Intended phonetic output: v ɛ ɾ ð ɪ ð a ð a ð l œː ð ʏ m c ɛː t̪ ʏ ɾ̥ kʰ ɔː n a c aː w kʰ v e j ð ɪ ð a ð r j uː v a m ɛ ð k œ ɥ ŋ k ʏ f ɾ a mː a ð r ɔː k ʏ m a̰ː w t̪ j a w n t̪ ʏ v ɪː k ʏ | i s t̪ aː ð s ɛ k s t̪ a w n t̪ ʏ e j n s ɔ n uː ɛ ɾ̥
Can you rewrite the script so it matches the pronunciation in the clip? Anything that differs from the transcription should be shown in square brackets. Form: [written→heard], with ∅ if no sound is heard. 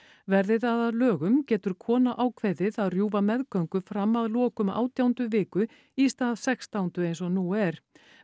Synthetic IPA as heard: v ɛ ɾ ð ɪ ð a ð a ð l œː [ð→ɣ] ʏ m c ɛː t̪ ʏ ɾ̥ kʰ ɔː n a [c→ʔ] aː w kʰ v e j ð ɪ ð a ð r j uː v a m ɛ ð k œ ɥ ŋ k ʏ f ɾ a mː a ð [r→l] ɔː k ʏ m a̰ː w t̪ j a w n t̪ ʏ v ɪː k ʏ | i s t̪ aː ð s ɛ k s t̪ a w n t̪ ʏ e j n s ɔ n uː ɛ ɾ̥